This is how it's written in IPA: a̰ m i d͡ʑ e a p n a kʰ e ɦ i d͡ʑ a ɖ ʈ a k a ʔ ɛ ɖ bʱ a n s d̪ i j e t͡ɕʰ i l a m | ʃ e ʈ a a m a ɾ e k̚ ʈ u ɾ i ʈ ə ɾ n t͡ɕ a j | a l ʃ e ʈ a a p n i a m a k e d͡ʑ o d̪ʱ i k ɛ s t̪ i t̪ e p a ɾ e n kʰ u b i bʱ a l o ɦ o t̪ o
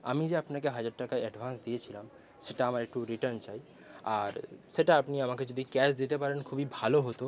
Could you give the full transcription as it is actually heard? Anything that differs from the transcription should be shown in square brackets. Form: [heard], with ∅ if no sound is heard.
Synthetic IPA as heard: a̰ m i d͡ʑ e a p n a [k] e ɦ [a] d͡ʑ a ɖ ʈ a k a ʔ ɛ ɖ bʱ a n s d̪ i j e t͡ɕʰ i l a m | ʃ e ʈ a a m a ɾ e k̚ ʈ u ɾ i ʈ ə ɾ n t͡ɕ a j | a [ɾ] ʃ e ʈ a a p n i a m a k e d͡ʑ o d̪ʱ i k ɛ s [d̪] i t̪ e p a ɾ e n kʰ u b i bʱ a l o ɦ o t̪ o